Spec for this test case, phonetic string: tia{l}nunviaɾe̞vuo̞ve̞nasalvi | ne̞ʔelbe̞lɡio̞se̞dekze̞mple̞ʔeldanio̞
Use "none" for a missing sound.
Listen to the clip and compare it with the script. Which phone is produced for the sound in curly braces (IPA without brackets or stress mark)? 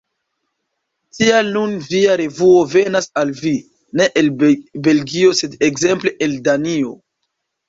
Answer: l